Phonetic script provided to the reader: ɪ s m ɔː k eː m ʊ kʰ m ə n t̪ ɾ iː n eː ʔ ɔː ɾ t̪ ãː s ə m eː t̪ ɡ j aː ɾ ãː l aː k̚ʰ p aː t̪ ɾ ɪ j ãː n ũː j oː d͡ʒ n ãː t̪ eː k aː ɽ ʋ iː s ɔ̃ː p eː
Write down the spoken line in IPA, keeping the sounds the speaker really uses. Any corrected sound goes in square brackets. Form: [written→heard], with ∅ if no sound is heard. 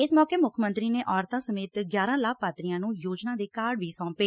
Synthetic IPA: ɪ s m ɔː k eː m ʊ kʰ m ə n t̪ ɾ iː n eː ʔ ɔː ɾ t̪ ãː s ə m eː t̪ ɡ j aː ɾ ãː l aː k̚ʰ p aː t̪ ɾ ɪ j ãː n ũː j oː d͡ʒ n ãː [t̪→d̪] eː k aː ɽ ʋ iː s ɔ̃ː p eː